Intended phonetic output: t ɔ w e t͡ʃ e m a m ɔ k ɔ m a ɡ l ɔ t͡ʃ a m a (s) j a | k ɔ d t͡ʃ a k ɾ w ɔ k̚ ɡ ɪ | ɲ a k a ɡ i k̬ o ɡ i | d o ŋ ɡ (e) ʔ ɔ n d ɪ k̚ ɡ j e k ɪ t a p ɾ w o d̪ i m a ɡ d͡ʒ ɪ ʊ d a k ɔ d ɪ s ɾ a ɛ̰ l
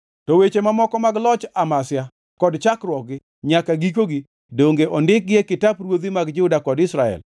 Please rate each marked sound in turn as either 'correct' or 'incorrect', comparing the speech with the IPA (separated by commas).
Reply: correct, correct